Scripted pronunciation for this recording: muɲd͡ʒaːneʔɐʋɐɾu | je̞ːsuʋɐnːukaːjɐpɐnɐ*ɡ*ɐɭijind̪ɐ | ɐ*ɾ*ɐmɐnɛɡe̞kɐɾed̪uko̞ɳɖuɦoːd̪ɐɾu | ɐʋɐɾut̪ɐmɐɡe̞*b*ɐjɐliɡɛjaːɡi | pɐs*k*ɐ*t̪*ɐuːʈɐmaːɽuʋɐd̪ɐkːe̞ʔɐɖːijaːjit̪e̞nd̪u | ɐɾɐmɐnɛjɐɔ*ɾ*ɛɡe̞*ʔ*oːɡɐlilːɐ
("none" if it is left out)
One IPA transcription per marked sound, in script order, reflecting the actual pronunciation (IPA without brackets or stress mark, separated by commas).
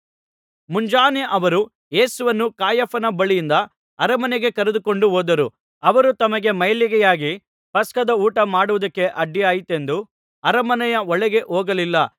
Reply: b, ɾ, m, k, d̪, ɭ, ʔ